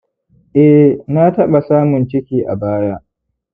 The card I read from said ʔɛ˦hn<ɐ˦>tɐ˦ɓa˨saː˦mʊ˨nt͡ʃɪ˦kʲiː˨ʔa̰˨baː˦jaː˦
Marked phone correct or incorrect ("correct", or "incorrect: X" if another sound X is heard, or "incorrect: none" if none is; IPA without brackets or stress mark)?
incorrect: a˦